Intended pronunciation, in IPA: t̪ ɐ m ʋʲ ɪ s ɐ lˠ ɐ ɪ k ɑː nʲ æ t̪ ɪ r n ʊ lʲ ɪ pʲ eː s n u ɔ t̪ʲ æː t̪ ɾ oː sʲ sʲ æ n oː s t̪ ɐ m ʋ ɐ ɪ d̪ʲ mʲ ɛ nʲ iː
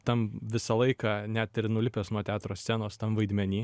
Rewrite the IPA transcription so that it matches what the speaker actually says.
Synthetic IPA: t̪ ɐ m ʋʲ ɪ s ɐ lˠ ɐ ɪ k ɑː nʲ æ t̪ ɪ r n ʊ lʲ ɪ pʲ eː s n u ɔ t̪ʲ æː t̪ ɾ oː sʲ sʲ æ n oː s t̪ ɐ m ʋ ɐ ɪ d̪ʲ mʲ ɛ nʲ iː